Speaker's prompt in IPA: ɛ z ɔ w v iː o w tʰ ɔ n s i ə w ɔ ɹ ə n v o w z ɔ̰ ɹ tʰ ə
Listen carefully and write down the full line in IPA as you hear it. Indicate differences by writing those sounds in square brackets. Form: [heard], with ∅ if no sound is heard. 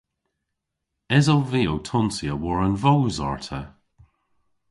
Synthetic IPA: ɛ z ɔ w v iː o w tʰ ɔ n s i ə w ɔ ɹ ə n v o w z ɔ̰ ɹ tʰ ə